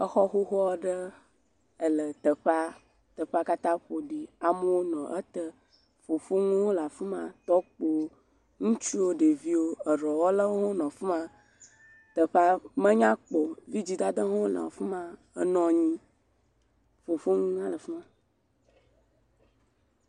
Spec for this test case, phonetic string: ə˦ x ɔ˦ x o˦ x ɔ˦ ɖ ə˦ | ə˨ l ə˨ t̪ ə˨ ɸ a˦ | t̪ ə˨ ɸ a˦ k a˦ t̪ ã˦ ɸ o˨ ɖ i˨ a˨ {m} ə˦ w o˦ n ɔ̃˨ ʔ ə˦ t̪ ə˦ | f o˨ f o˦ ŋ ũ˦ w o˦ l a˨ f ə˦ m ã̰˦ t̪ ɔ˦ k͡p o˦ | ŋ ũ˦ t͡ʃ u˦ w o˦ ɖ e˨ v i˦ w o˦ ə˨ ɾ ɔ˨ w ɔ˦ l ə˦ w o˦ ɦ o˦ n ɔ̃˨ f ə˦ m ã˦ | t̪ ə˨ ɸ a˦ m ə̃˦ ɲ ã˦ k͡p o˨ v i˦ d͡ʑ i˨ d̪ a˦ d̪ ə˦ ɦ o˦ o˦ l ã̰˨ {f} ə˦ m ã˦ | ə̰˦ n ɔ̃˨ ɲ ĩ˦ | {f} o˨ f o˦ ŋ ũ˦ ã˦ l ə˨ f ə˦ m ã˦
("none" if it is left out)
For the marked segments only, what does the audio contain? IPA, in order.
m, f, f

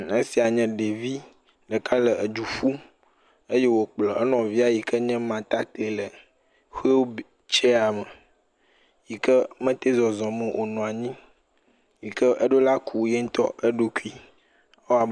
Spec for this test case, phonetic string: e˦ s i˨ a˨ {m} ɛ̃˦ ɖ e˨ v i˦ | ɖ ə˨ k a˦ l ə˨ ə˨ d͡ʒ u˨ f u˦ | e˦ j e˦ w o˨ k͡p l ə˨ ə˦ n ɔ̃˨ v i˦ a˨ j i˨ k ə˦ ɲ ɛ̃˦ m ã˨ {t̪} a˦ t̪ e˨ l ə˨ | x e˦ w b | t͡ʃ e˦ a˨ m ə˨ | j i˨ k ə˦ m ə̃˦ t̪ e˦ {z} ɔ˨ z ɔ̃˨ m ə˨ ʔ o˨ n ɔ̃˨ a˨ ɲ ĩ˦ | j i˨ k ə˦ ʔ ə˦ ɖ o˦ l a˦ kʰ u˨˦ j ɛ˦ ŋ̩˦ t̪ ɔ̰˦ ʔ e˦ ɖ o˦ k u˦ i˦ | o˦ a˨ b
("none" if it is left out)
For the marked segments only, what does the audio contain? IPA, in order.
ɲ, t̪, z

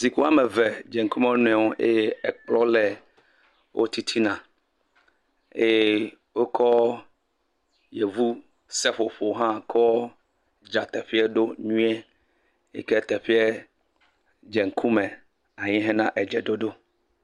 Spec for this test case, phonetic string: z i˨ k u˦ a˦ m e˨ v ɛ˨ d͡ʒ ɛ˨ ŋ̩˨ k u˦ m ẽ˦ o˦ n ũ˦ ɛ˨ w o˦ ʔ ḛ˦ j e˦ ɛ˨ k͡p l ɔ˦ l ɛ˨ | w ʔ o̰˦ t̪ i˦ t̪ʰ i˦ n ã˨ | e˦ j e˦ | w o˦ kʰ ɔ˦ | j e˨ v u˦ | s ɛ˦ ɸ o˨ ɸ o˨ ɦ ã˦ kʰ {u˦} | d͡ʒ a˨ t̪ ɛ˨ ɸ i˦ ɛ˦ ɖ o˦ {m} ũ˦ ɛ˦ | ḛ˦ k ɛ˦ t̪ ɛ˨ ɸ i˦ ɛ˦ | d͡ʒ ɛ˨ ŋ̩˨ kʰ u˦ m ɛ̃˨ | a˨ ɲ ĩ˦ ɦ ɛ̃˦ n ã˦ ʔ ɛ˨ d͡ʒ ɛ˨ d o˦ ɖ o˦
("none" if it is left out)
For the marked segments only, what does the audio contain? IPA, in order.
ɔ˦, ɲ

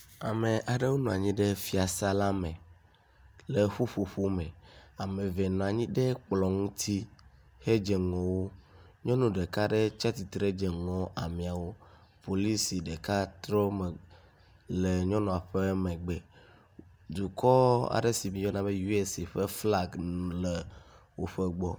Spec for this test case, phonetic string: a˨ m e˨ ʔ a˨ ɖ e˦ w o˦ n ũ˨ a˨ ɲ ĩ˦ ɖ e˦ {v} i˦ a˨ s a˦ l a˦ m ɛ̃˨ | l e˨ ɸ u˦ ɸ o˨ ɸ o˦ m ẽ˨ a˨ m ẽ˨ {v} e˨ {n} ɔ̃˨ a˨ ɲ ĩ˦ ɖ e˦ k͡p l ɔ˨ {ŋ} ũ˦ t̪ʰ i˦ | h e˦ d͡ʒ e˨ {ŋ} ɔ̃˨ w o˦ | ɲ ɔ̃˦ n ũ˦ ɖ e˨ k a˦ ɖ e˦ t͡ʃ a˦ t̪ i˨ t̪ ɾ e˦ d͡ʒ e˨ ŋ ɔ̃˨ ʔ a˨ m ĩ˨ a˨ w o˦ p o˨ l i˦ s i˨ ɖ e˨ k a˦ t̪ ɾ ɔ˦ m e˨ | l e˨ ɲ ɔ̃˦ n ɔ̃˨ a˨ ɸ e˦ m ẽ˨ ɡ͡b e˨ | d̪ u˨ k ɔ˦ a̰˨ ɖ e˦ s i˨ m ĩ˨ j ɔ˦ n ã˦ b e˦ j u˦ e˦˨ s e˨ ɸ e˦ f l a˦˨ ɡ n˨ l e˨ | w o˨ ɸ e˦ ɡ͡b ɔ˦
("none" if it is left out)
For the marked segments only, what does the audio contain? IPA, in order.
f, v, n, ŋ, ŋ

